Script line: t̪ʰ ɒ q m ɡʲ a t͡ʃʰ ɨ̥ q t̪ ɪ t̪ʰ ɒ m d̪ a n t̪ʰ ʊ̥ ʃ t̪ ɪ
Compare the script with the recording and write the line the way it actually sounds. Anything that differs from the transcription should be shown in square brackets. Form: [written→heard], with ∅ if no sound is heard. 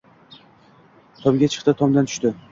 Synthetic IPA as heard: t̪ʰ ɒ [q→∅] m ɡʲ a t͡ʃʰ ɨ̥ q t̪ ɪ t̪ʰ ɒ m d̪ a n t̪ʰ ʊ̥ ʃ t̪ ɪ